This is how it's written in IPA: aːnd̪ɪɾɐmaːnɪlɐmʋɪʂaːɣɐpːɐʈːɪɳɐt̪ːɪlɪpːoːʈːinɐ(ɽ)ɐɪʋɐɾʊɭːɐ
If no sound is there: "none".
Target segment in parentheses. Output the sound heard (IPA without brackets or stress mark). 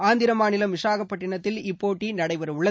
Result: ɽ